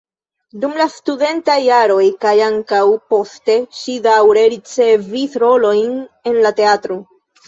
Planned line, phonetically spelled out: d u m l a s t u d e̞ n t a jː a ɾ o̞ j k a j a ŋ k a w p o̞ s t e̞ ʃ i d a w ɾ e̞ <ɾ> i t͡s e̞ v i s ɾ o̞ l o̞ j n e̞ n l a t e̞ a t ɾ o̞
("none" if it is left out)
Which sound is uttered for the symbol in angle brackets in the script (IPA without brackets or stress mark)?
ɾ